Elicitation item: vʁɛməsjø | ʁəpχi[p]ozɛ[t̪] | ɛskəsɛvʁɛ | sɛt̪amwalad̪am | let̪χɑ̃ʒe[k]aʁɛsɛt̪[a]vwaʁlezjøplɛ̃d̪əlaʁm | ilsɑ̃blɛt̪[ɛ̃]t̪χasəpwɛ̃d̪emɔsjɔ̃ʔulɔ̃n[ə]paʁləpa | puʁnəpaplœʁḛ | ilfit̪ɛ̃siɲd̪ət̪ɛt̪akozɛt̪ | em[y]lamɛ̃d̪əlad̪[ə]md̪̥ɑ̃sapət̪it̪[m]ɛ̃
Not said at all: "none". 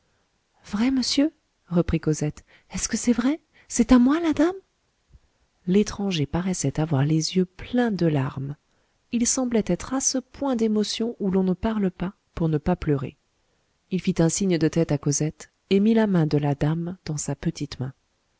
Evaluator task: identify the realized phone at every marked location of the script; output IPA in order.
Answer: k, t̪, p, a, ɛ, ə, i, a, m

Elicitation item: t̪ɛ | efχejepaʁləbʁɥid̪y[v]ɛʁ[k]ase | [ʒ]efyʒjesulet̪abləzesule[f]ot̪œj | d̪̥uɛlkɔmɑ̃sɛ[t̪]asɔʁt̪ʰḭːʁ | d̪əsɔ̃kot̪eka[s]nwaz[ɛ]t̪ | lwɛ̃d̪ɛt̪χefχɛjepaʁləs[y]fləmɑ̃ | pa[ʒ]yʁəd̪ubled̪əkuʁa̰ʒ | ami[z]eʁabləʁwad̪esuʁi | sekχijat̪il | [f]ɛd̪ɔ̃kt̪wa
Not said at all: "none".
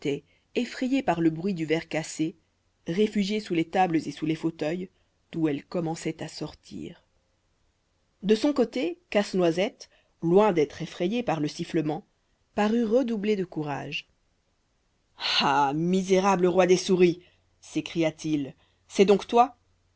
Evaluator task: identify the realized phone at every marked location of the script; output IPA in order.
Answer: v, k, ʁ, f, t̪, s, ɛ, i, ʁ, z, s

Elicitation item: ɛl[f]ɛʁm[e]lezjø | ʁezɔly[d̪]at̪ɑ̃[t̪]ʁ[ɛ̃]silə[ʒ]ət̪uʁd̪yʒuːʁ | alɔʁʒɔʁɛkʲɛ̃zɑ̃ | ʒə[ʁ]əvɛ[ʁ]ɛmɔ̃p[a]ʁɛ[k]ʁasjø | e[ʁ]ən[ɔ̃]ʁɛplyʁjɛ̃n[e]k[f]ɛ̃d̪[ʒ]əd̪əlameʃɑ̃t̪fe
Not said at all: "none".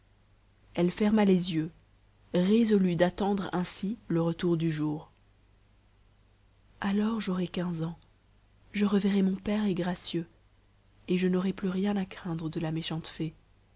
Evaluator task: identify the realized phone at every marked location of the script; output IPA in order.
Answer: f, a, d̪, d̪, ɛ̃, ʁ, ʁ, ʁ, ɛ, ɡ, ʒ, ɔ, a, χ, ʁ

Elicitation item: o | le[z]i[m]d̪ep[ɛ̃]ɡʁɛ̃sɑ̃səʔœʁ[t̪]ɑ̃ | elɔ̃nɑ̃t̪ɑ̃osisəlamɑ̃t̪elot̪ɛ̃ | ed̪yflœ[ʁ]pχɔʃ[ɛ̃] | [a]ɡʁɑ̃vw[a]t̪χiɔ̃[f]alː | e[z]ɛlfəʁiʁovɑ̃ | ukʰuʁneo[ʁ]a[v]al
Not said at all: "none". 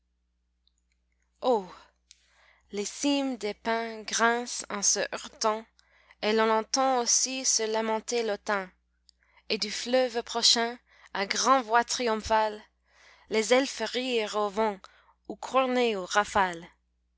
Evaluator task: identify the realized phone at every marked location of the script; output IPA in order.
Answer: s, m, ɛ̃, t̪, v, ɛ̃, a, a, f, z, ʁ, f

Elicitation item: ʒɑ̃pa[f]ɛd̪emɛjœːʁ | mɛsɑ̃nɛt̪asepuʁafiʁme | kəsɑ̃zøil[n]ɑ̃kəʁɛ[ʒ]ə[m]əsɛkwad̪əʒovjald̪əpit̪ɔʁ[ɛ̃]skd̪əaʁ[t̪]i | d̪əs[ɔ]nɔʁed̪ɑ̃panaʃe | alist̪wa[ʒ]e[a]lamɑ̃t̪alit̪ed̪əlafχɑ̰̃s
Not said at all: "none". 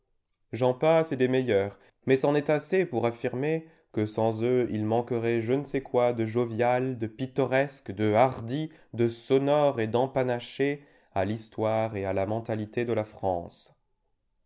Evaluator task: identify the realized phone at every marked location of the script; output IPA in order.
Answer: s, m, ʒ, n, ɛ, d̪, ɔ, ʁ, a

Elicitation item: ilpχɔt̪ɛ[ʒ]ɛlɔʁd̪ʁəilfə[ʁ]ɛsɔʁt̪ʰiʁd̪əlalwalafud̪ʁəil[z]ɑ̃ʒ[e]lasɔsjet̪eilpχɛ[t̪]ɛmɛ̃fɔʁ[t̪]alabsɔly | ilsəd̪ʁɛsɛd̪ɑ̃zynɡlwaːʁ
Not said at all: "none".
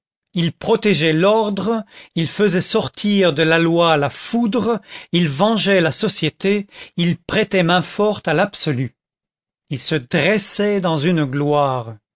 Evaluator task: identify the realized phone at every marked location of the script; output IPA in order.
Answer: ʒ, z, v, ɛ, t̪, t̪

